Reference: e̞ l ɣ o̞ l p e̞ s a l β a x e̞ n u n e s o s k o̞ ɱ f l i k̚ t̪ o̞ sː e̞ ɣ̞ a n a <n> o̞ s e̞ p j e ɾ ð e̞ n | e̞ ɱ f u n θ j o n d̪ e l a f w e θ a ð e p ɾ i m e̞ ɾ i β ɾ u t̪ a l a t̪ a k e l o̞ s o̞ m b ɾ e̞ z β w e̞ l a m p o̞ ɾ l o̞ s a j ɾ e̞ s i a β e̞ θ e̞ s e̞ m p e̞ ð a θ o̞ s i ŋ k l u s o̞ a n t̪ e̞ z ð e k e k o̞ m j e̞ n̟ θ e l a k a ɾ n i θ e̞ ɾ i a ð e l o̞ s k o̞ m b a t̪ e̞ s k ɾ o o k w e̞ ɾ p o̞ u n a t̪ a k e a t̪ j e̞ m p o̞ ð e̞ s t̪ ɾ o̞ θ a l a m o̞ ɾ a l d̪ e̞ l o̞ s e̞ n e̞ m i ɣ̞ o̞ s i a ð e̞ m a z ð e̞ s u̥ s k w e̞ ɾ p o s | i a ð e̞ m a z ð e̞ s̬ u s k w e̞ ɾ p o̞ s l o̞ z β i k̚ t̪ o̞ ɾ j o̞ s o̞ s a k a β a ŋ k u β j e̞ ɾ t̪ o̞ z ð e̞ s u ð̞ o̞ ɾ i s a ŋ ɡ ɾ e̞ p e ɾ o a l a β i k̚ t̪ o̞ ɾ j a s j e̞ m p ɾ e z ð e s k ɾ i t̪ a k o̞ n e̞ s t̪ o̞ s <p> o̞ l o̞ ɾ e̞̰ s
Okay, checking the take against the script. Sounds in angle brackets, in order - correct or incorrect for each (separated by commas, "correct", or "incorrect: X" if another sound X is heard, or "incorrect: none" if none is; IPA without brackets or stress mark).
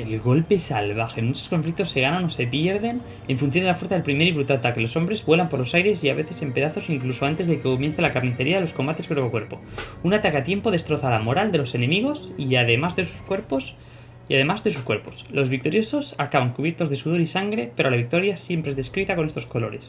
correct, incorrect: k